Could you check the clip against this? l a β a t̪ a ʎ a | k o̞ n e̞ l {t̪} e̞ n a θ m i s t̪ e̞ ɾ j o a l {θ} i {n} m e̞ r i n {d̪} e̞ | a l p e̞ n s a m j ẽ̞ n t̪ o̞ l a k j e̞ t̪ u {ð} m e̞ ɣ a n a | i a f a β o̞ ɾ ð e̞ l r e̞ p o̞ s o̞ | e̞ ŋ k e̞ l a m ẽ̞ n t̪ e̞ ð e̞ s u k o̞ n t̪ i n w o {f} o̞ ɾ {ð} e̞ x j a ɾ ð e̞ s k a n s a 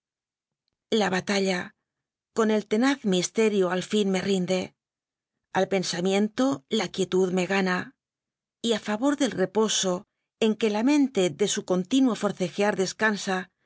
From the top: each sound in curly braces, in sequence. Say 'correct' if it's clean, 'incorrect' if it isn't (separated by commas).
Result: correct, incorrect, correct, correct, correct, correct, incorrect